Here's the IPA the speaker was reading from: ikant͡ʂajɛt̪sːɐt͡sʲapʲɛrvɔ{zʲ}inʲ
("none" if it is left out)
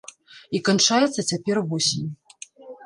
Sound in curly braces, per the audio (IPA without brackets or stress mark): sʲ